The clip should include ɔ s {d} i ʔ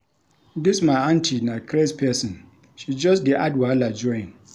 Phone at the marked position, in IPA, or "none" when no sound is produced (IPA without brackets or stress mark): d